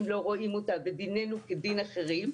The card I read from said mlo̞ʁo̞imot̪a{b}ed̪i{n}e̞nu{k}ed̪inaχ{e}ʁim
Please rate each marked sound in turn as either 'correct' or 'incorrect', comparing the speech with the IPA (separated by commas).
correct, correct, correct, correct